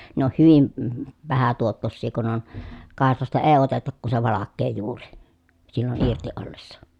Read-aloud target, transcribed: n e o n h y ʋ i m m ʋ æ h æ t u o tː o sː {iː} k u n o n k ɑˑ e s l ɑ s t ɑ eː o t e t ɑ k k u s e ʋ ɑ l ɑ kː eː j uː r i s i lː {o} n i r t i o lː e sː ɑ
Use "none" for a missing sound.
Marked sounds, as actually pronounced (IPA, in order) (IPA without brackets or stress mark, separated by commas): iː, o